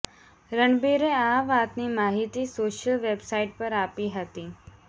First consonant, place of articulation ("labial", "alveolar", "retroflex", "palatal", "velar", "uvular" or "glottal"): alveolar